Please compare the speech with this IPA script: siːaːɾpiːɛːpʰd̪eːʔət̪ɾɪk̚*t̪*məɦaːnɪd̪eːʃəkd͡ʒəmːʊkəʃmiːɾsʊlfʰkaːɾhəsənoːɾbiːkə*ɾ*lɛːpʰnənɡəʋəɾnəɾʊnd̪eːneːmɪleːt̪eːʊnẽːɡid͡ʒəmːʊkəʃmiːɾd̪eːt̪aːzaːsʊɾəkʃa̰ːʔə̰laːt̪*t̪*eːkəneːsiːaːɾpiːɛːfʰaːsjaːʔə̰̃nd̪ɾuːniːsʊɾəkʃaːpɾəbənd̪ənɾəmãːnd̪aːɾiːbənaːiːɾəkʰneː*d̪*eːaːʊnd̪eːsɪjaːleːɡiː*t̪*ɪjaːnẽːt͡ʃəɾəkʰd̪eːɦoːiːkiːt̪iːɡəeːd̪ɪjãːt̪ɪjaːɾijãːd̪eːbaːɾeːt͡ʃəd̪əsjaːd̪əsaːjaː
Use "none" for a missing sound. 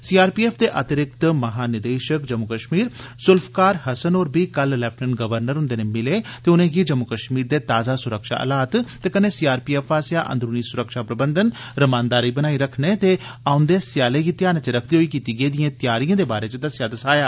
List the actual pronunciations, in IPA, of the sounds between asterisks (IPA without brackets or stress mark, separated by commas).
t̪, l, t̪, t̪, t̪